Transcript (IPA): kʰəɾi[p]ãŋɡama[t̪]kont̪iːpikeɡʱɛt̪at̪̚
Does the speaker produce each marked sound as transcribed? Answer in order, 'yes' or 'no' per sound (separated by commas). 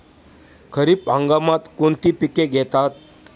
yes, yes